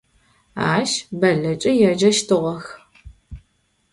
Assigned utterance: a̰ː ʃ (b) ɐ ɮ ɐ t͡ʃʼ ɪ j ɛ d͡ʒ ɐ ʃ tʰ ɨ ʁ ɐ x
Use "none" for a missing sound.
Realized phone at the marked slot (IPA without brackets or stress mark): b